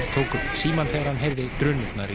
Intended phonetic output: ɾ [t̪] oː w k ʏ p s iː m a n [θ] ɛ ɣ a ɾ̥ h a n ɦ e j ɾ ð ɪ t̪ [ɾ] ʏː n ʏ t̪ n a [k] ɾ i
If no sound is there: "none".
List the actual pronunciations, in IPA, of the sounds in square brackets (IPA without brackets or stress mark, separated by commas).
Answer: t̪ʰ, θ, ɾ, none